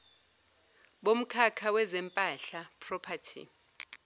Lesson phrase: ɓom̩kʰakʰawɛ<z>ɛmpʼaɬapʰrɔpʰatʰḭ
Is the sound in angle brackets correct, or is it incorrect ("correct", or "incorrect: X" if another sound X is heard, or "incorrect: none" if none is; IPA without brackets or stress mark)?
correct